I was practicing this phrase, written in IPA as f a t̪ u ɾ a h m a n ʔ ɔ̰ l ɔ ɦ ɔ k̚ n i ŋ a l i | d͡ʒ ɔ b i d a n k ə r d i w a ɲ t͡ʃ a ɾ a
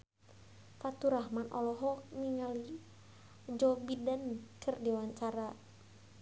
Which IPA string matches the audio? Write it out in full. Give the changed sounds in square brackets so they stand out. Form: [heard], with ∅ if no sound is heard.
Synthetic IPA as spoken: f a t̪ u ɾ a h m a n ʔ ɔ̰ l ɔ ɦ ɔ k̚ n i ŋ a l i | d͡ʒ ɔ b i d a n k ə r d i w a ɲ t͡ʃ a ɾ a

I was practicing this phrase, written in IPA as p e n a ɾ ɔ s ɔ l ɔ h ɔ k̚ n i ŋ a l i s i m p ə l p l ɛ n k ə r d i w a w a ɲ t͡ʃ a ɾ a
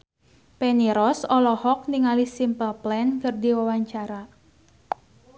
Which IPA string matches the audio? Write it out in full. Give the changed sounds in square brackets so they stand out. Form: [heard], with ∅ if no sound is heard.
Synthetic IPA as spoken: p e n [i] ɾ ɔ s ɔ l ɔ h ɔ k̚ n i ŋ a l i s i m p ə l p l ɛ n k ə r d i w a w a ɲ t͡ʃ a ɾ a

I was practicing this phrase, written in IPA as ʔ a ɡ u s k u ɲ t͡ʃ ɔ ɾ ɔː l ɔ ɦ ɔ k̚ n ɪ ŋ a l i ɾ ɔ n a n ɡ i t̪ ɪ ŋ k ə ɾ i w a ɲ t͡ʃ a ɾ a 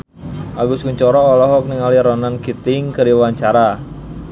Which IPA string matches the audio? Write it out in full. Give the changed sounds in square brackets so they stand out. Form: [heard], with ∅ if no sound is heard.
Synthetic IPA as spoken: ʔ a ɡ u s k u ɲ t͡ʃ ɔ ɾ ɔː l ɔ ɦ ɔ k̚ n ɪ ŋ a l i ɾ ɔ n a n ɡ i t̪ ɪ ŋ k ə ɾ i w a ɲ t͡ʃ a ɾ a

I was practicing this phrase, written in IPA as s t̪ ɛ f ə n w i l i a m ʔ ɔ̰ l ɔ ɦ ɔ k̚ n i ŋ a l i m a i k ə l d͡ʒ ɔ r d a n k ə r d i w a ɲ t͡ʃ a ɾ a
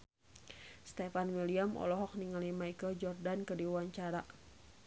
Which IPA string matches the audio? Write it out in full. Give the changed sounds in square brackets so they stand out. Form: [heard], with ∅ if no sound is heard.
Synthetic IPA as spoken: s t̪ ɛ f [a] n w i l i a m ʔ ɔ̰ l ɔ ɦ ɔ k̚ n i ŋ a l i m a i k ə l d͡ʒ ɔ r d a n k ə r d i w a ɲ t͡ʃ a ɾ a

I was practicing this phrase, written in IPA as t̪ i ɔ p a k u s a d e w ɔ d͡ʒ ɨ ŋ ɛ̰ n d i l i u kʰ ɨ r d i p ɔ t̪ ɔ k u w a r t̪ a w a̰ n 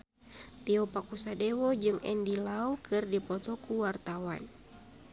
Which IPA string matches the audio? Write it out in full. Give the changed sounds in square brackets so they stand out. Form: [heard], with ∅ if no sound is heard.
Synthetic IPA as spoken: t̪ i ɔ p a k u s a d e w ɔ d͡ʒ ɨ ŋ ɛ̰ n d i l [a] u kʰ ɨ r d i p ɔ t̪ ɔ k u w a r t̪ a w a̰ n

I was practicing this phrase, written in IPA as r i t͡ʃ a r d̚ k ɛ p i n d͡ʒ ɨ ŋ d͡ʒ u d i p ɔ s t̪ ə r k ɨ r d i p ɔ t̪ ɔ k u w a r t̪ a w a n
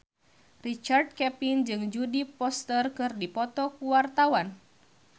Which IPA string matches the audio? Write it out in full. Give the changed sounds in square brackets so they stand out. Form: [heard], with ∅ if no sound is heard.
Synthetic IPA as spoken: r i t͡ʃ a r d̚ k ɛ p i n d͡ʒ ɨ ŋ d͡ʒ u d i p ɔ s t̪ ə r k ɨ r d i p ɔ t̪ ɔ k u w a r t̪ a w a n

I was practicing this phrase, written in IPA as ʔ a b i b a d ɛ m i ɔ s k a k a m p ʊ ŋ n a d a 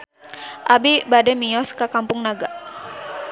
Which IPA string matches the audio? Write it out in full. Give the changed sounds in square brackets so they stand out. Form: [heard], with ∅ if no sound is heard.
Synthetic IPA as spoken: ʔ a b i b a d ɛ m i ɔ s k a k a m p ʊ ŋ n a [ɡ] a

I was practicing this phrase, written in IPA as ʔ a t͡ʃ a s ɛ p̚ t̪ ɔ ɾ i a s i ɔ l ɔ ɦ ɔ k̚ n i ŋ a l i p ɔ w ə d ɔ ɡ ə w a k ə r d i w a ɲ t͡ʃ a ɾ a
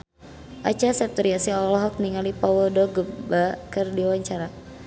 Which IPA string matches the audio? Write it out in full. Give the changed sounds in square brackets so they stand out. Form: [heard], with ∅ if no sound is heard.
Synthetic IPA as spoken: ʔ a t͡ʃ a s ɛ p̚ t̪ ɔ ɾ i a s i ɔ l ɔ ɦ ɔ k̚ n i ŋ a l i p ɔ w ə d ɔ ɡ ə [b] a k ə r d i w a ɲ t͡ʃ a ɾ a

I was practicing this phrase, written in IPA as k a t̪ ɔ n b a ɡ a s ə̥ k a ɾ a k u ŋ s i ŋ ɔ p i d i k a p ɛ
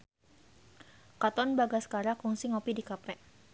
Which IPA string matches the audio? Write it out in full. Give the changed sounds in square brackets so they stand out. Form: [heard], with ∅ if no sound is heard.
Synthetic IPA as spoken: k a t̪ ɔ n b a ɡ a s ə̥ k a ɾ a k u ŋ s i ŋ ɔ p i d i k a p ɛ

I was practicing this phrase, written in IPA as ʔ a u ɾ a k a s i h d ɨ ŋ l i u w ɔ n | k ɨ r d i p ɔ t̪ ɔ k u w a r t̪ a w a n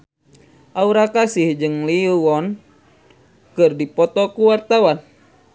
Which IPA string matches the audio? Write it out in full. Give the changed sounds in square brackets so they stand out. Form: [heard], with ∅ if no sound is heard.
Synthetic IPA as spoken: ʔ a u ɾ a k a s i h [d͡ʒ] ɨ ŋ l i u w ɔ n | k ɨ r d i p ɔ t̪ ɔ k u w a r t̪ a w a n

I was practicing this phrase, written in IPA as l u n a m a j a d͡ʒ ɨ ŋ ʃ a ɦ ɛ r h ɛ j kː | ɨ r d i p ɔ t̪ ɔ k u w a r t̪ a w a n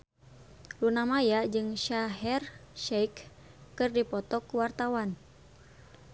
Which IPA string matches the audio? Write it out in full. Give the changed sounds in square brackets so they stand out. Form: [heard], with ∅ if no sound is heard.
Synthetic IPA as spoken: l u n a m a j a d͡ʒ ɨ ŋ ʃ a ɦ ɛ r [ʃ] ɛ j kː | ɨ r d i p ɔ t̪ ɔ k u w a r t̪ a w a n

